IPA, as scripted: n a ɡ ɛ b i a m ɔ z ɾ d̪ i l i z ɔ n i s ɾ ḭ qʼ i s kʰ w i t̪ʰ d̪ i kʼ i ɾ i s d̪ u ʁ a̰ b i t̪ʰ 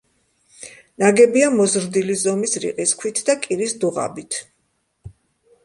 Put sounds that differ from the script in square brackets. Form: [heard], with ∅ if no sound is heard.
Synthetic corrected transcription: n a ɡ ɛ b i a m ɔ z ɾ d̪ i l i z ɔ [m] i s ɾ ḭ qʼ i s kʰ w i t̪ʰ d̪ [a] kʼ i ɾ i s d̪ u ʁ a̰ b i t̪ʰ